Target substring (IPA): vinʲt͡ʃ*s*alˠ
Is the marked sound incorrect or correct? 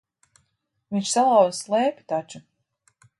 correct